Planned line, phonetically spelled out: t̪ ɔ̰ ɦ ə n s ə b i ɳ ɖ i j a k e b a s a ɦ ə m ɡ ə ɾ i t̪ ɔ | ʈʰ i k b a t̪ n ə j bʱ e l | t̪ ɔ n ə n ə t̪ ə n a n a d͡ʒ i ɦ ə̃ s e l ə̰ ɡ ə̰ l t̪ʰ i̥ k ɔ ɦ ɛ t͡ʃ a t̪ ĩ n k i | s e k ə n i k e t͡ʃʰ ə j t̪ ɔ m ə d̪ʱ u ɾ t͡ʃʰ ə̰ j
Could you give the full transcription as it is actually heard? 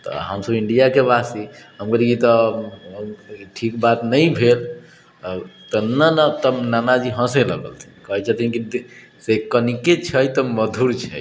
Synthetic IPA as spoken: t̪ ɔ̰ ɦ ə m s ə b i ɳ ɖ i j a k e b a s i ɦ ə m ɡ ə ɾ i t̪ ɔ | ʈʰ i k b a t̪ n ə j bʱ e l | t̪ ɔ n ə n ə t̪ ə n a n a d͡ʒ i ɦ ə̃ s e l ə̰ ɡ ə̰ l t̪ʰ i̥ k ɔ ɦ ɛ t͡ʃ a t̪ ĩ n k i | s e k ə n i k e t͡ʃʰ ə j t̪ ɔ m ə d̪ʱ u ɾ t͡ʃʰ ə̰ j